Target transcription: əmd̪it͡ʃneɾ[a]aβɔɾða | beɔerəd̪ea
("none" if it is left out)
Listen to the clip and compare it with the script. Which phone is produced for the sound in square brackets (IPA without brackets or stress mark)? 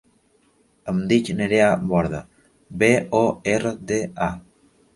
e